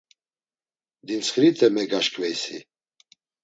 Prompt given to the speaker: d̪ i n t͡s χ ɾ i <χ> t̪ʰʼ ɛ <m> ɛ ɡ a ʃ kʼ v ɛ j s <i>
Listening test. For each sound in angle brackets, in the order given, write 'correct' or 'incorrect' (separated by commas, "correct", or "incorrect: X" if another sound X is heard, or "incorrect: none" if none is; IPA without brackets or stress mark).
incorrect: none, correct, correct